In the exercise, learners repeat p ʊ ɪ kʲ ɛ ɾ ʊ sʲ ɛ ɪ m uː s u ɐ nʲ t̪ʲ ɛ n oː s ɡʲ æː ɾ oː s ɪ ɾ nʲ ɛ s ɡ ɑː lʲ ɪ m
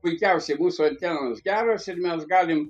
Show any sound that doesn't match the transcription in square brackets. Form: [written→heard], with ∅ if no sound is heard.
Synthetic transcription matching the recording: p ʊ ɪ kʲ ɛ [ɾ→∅] ʊ sʲ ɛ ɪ m uː s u ɐ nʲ t̪ʲ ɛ n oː s ɡʲ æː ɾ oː s ɪ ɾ [nʲ→mʲ] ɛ s ɡ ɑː lʲ ɪ m